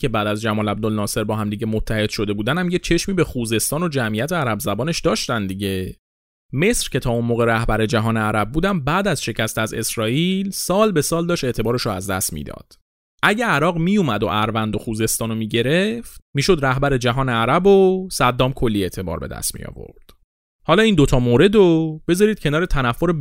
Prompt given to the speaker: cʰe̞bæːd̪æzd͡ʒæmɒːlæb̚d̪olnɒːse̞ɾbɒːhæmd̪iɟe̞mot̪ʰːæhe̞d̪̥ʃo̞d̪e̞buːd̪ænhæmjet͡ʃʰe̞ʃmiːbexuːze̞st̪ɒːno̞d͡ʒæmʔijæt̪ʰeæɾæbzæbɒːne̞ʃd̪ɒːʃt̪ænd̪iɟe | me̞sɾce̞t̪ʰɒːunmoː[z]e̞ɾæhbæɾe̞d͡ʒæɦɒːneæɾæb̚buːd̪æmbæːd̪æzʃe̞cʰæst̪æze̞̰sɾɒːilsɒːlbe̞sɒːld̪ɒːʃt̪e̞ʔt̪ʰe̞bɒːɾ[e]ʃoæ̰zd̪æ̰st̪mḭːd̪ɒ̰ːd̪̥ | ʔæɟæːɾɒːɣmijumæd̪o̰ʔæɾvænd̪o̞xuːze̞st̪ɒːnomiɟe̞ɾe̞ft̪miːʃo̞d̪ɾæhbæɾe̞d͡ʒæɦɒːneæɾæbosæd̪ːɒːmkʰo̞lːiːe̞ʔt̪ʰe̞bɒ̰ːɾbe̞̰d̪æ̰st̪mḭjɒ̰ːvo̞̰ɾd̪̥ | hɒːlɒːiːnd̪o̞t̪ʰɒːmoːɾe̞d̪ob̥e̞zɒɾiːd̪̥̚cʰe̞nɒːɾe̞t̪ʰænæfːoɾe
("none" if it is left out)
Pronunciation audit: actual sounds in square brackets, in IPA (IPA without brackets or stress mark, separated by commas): ɣ, e